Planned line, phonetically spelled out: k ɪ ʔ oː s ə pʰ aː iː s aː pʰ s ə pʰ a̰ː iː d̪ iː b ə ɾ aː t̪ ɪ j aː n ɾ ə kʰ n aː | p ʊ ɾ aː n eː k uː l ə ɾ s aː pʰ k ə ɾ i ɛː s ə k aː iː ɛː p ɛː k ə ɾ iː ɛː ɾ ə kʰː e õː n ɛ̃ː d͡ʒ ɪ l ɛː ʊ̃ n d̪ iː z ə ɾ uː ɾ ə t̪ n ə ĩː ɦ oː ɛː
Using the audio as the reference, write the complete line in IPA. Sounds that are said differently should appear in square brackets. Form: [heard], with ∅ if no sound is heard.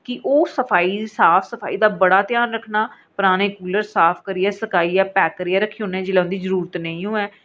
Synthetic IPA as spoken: k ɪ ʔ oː s ə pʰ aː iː s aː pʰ s ə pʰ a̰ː iː d̪ [aː] b ə [ɽ] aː t̪ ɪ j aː n ɾ ə kʰ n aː | p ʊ ɾ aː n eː k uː l ə ɾ s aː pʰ k ə ɾ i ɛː s ə k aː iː ɛː p ɛː k ə ɾ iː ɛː ɾ ə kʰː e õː n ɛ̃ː d͡ʒ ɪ l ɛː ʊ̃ n d̪ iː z ə ɾ uː ɾ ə t̪ n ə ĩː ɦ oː ɛː